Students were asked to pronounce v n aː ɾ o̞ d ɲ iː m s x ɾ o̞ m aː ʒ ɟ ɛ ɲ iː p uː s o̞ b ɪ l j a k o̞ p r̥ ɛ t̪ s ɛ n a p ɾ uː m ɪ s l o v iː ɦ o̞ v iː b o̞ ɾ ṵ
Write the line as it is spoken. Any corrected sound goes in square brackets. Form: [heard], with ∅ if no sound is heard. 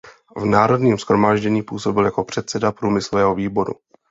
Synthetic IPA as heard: v n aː ɾ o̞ d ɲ iː m s x ɾ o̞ m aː ʒ ɟ ɛ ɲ iː p uː s o̞ b ɪ l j a k o̞ p r̥ ɛ t̪ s ɛ [d] a p ɾ uː m ɪ s l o v [ɛː] ɦ o̞ v iː b o̞ ɾ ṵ